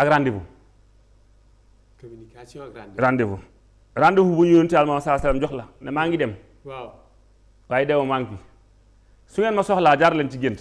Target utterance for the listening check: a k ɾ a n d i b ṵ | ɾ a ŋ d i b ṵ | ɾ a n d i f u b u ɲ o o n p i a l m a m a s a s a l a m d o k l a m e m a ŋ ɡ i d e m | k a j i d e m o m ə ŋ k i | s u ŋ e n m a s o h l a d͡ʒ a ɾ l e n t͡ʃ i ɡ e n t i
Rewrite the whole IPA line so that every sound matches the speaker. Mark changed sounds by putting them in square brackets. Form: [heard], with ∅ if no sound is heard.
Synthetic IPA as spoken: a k ɾ a n d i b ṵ | ɾ a [n] d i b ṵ | ɾ a n d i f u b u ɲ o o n [t] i a l m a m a s a s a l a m [d͡ʒ] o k l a [n] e m a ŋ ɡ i d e m | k a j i d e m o m [a] ŋ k i | s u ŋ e n m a s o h l a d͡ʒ a ɾ l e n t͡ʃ i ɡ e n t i